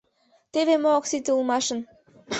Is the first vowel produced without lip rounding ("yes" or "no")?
yes